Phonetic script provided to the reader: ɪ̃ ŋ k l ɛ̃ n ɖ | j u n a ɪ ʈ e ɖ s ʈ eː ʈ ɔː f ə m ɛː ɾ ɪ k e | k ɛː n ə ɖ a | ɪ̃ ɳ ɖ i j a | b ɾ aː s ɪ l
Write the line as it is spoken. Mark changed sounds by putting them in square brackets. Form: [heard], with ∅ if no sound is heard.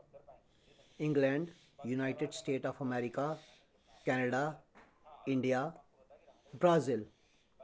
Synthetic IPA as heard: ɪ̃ ŋ [ɡ] l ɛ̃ [ɳ] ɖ | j u n a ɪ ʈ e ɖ s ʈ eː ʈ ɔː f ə m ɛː ɾ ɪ k [a] | k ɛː n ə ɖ a | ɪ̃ ɳ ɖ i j a | b ɾ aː [z] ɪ l